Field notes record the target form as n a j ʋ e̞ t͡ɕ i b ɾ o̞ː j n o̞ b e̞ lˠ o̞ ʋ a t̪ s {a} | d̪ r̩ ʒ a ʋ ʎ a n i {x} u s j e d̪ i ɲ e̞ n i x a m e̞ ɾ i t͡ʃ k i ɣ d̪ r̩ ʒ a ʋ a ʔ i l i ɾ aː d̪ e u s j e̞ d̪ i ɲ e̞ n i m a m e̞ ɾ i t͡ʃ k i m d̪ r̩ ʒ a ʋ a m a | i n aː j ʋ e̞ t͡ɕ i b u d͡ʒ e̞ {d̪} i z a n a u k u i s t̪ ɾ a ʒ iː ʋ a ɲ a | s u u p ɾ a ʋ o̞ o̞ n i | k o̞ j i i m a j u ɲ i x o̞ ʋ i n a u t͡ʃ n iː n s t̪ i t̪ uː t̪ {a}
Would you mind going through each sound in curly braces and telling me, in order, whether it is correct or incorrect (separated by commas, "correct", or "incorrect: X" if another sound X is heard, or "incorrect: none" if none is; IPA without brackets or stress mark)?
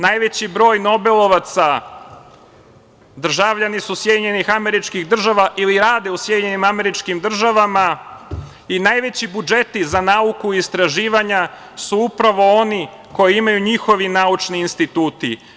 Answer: correct, incorrect: s, incorrect: t̪, incorrect: i